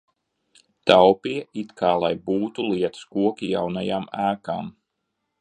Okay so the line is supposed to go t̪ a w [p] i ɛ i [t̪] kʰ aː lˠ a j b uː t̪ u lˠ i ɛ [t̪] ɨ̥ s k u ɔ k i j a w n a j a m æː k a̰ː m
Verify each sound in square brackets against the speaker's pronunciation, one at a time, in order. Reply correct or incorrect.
correct, correct, correct

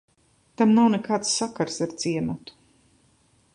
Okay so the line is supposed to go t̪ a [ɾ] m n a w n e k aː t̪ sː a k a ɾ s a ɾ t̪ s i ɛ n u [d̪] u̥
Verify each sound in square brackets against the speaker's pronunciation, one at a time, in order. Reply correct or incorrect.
incorrect, incorrect

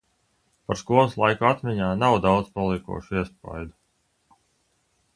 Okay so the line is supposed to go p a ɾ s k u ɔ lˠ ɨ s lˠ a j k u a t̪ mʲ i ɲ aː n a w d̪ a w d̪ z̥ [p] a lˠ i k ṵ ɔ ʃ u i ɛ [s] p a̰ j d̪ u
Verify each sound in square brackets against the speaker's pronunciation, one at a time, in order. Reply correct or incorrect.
correct, correct

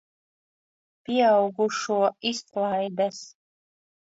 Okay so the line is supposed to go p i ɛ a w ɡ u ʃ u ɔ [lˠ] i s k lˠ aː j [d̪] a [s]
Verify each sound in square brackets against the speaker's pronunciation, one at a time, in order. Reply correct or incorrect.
incorrect, correct, correct

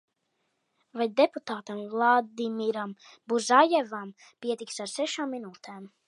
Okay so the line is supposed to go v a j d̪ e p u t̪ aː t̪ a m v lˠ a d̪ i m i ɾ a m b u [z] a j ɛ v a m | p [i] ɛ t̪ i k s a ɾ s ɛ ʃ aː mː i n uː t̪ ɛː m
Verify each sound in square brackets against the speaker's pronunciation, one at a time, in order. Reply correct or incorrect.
correct, correct

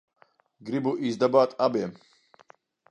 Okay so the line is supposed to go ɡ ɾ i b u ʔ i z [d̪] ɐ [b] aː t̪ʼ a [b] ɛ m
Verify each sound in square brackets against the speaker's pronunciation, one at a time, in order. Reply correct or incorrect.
correct, correct, correct

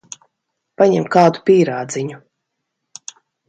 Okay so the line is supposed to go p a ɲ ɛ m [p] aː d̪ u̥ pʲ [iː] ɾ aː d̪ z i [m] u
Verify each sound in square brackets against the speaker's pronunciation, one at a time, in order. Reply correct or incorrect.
incorrect, correct, incorrect

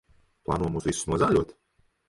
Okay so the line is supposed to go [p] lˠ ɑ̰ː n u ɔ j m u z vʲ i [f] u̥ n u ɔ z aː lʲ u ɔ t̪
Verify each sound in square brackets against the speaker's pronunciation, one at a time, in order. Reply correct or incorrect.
correct, incorrect

